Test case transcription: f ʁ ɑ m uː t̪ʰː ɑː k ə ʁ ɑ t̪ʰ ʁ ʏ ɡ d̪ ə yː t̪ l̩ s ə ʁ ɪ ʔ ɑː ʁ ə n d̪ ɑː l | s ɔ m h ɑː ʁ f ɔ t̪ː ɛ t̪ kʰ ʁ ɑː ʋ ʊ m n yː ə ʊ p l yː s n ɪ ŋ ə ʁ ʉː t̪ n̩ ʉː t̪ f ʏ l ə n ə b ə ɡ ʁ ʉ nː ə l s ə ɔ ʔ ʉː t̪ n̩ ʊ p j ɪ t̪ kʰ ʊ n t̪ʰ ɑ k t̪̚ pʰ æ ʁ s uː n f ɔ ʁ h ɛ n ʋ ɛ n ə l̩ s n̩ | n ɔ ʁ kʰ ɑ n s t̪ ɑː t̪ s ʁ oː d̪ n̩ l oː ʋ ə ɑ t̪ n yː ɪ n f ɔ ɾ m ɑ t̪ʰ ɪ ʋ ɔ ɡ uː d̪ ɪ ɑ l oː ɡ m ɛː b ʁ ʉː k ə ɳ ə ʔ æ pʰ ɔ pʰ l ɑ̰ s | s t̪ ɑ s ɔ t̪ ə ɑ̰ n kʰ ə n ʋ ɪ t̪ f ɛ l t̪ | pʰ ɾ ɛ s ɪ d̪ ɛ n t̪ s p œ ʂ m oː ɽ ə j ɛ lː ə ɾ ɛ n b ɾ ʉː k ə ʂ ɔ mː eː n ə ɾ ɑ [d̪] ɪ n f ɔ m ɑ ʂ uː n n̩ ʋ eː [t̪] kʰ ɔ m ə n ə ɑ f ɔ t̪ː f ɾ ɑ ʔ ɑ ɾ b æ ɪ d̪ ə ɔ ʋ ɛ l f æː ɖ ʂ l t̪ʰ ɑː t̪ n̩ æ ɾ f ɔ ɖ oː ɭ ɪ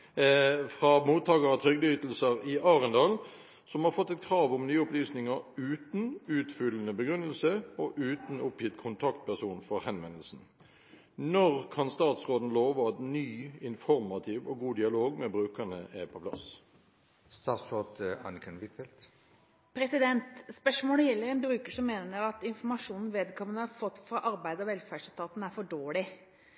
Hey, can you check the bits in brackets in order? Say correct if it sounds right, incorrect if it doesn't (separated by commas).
incorrect, incorrect